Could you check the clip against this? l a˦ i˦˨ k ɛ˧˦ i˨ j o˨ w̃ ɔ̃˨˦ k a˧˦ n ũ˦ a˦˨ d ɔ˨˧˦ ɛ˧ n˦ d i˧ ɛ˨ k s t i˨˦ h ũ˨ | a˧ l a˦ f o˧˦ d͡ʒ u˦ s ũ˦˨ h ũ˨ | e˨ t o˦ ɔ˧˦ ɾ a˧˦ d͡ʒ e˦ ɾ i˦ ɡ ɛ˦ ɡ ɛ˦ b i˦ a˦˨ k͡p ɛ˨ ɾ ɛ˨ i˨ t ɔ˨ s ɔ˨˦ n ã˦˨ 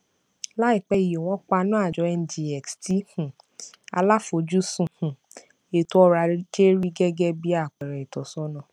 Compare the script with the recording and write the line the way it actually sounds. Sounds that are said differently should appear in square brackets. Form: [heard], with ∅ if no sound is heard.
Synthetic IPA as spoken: l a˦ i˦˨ [k͡p] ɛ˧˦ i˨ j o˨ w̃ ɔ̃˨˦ [k͡p] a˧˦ n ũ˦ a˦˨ [d͡ʒ] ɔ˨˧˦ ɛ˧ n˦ d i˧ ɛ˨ k s t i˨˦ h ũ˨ | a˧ l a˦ f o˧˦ d͡ʒ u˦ s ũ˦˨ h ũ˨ | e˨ t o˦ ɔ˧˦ ɾ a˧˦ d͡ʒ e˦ ɾ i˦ ɡ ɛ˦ ɡ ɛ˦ b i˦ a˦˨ k͡p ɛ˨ ɾ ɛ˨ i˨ t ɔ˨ s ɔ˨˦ n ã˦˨